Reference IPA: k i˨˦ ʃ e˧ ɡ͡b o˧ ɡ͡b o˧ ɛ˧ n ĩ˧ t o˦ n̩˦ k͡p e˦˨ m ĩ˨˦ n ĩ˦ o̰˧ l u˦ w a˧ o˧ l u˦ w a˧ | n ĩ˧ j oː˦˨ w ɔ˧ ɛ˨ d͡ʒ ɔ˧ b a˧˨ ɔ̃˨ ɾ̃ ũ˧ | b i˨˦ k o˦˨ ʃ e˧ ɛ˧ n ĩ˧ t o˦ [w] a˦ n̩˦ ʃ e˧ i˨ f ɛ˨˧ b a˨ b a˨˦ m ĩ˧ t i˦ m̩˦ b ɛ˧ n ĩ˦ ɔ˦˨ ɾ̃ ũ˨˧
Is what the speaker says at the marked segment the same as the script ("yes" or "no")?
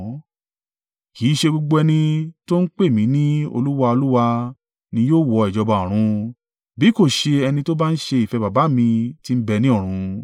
no